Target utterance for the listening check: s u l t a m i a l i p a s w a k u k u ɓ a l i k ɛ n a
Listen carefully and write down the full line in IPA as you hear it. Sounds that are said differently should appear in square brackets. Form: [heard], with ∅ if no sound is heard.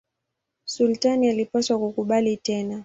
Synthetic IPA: s u l t a [n] i a l i p a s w a k u k u ɓ a l i [t] ɛ n a